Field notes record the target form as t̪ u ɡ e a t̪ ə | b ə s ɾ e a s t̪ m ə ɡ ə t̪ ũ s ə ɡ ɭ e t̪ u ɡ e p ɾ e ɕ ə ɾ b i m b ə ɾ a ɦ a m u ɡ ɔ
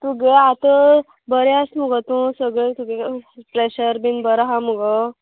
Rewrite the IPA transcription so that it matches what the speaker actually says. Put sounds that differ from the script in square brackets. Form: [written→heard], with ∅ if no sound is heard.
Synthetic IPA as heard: t̪ u ɡ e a t̪ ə | b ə [s→∅] ɾ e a s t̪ m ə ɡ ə t̪ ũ s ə ɡ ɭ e t̪ u ɡ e p ɾ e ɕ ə ɾ b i [m→n] b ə ɾ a ɦ a m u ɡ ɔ